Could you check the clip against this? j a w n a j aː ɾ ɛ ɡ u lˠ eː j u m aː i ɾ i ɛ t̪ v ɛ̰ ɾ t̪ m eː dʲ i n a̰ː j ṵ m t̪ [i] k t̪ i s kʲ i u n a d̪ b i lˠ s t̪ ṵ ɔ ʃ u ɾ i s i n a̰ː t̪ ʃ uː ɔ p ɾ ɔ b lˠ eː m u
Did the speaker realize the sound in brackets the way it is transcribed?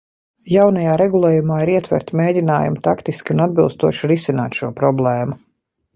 no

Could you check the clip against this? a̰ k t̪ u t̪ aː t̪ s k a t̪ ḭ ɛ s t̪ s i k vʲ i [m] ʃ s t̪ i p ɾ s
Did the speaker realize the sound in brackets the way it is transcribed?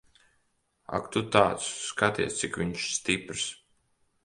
no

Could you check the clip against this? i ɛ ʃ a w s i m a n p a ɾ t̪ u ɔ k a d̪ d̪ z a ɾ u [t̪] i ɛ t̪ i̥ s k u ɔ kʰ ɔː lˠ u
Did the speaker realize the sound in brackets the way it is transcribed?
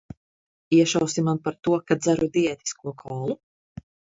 no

